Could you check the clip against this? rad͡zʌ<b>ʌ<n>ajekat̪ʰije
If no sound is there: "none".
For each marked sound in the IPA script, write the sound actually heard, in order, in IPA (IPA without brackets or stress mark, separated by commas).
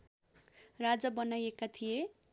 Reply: b, n